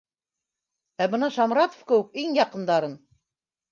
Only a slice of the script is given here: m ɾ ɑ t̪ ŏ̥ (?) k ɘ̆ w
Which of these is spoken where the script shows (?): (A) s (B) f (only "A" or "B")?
B